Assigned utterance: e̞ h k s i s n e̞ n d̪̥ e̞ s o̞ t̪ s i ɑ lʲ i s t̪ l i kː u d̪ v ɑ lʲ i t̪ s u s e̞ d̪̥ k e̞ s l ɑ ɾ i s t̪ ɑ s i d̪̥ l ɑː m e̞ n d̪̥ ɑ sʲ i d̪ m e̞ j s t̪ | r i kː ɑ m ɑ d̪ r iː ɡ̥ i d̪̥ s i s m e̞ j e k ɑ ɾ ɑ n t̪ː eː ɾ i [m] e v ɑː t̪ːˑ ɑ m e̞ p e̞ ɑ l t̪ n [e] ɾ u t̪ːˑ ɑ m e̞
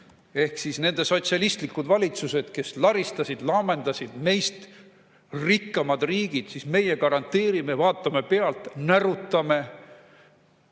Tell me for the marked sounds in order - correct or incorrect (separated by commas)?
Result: correct, incorrect